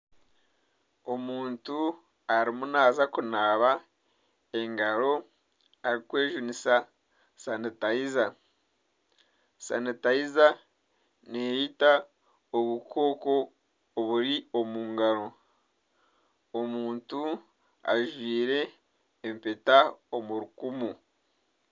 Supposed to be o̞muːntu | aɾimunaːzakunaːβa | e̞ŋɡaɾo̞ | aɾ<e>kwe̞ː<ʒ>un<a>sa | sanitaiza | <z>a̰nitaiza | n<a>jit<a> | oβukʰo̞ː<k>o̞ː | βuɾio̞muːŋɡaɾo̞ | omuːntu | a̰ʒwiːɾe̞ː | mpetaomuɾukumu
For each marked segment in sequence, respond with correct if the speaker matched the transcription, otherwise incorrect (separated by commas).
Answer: incorrect, correct, incorrect, incorrect, incorrect, correct, correct